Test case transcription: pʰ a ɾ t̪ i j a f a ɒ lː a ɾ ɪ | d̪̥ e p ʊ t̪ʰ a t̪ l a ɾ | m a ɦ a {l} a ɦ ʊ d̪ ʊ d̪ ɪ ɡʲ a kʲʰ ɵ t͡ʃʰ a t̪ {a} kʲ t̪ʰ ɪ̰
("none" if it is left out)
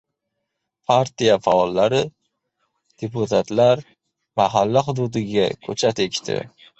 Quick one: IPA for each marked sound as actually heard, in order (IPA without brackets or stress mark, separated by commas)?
lː, e